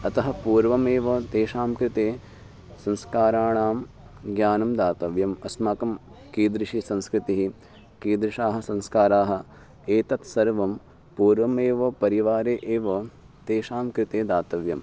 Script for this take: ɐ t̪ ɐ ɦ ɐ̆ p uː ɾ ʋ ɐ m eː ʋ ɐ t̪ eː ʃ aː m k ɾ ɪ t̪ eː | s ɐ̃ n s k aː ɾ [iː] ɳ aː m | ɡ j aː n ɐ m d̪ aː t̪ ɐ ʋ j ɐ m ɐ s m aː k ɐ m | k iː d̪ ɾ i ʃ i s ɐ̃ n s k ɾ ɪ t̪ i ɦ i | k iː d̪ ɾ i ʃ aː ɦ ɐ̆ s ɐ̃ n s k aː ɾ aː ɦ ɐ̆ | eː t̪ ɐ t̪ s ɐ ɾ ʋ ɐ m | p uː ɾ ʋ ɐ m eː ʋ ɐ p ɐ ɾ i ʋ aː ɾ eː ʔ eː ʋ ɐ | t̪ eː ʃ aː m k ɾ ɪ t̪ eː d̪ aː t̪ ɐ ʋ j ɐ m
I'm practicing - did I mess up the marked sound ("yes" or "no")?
yes